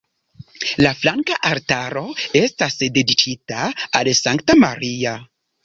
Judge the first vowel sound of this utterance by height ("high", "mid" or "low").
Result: low